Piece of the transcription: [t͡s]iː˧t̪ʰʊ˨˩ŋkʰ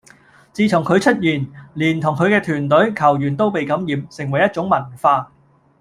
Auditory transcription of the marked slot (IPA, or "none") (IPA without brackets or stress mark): t͡s